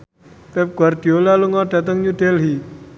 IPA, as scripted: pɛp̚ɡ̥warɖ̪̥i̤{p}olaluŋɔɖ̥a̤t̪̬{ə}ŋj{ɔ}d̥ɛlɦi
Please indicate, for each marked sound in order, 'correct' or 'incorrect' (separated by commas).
incorrect, correct, incorrect